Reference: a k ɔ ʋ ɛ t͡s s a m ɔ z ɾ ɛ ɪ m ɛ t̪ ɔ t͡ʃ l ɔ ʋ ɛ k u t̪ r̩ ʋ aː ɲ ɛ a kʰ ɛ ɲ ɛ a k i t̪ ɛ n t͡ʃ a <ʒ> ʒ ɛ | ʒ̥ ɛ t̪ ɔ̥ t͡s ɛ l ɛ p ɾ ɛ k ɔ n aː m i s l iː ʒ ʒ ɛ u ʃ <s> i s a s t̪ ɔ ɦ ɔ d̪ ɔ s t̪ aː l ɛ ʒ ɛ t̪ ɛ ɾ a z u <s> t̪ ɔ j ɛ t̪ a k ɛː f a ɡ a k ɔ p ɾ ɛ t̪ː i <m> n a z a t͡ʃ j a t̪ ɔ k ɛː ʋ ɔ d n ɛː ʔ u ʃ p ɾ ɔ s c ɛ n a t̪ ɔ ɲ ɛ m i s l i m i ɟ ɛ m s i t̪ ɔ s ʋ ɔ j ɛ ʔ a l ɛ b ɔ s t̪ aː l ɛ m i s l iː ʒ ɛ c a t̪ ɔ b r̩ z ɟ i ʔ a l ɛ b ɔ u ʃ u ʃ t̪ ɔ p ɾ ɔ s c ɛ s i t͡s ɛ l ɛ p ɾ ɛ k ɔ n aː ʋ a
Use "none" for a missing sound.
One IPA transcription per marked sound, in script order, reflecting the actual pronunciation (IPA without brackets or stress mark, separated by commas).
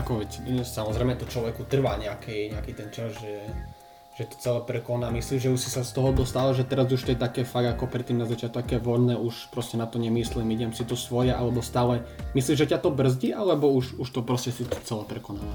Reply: z, s, ʃ, m